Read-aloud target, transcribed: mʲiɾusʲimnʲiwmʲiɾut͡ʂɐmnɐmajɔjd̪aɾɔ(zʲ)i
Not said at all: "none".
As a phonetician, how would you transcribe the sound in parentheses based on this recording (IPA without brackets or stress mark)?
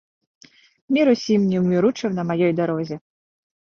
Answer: zʲ